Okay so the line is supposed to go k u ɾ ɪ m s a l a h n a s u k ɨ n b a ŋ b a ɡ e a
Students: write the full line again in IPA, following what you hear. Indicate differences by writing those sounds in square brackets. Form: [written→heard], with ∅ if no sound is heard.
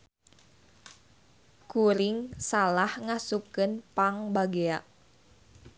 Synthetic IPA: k u ɾ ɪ [m→ŋ] s a l a h [n→ŋ] a s u k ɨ n [b→p] a ŋ b a ɡ e a